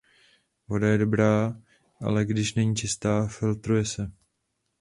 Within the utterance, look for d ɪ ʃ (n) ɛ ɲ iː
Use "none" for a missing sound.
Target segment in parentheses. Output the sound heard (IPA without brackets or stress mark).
n